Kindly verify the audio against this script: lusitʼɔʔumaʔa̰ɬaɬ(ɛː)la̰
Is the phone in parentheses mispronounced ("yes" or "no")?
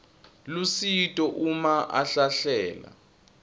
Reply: no